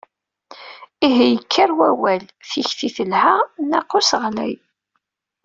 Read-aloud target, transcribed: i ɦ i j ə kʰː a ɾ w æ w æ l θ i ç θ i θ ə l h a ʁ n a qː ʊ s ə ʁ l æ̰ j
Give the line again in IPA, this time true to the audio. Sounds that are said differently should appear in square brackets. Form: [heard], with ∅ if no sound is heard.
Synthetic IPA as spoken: i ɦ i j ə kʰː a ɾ w æ w æ l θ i ç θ i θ ə l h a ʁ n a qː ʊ s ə ʁ l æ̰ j